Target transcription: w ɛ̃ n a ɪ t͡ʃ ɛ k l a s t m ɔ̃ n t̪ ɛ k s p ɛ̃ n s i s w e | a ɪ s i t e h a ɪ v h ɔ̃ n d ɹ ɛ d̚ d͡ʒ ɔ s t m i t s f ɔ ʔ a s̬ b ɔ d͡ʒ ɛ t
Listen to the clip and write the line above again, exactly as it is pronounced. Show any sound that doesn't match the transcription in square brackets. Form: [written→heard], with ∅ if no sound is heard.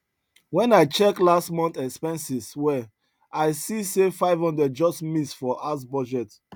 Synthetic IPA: w ɛ̃ n a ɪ t͡ʃ ɛ k l a s t m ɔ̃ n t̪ ɛ k s p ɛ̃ n s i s w [e→ɛ] | a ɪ s i [t→s] e [h→f] a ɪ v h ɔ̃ n d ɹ ɛ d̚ d͡ʒ ɔ s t m i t s f ɔ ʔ a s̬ b ɔ d͡ʒ ɛ t